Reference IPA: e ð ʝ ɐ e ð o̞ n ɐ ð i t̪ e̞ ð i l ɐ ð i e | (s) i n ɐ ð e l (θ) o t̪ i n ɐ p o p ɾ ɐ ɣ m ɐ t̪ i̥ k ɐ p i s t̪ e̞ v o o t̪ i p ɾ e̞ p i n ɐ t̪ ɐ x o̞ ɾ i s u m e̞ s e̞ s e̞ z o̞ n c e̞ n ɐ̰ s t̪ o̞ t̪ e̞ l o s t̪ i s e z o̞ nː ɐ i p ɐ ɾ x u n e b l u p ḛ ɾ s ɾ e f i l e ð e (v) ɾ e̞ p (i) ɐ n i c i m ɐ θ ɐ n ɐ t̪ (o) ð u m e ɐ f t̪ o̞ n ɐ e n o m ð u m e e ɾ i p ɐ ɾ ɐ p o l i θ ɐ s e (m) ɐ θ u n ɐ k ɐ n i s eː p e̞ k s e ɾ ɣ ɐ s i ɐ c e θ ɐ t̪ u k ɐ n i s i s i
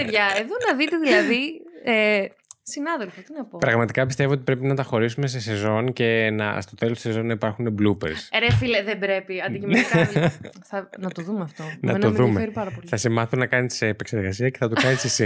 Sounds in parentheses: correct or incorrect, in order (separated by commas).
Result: correct, incorrect, incorrect, correct, correct, correct